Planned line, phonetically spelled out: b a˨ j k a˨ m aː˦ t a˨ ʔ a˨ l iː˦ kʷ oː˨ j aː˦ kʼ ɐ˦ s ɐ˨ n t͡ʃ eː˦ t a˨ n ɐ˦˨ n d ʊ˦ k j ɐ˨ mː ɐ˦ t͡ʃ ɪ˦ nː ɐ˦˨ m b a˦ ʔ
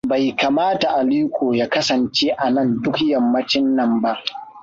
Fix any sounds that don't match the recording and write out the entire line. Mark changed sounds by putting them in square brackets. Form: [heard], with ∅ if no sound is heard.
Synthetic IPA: b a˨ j k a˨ m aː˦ t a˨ ʔ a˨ l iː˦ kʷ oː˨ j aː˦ [k] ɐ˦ s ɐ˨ n t͡ʃ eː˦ [ʔ] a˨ n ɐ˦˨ n d ʊ˦ k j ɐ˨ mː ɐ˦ t͡ʃ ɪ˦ nː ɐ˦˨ m b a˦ ʔ